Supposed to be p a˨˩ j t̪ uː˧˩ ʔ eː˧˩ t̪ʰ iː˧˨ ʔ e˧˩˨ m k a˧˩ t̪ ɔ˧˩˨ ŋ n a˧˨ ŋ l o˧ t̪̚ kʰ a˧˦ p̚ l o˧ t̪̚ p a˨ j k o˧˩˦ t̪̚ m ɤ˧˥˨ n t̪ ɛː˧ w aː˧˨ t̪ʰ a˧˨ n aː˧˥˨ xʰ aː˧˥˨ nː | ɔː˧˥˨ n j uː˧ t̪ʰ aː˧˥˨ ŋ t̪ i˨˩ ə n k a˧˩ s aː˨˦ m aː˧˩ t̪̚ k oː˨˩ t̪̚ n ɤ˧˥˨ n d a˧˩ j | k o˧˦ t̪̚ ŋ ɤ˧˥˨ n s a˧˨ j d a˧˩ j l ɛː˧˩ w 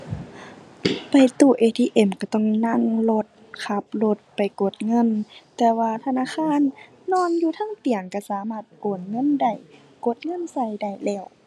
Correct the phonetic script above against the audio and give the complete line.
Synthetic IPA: p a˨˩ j t̪ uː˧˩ ʔ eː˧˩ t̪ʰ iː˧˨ ʔ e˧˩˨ m k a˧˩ t̪ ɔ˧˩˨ ŋ n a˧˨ ŋ l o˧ t̪̚ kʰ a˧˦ p̚ l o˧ t̪̚ p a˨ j k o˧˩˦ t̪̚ ŋ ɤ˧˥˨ n t̪ ɛː˧ w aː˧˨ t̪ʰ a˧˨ n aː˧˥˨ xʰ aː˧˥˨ nː | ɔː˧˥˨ n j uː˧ t̪ʰ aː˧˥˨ ŋ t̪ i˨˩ ə ŋ k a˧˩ s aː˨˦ m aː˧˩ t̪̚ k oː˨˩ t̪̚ ŋ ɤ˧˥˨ n d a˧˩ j | k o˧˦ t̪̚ ŋ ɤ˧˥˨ n s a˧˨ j d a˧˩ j l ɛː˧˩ w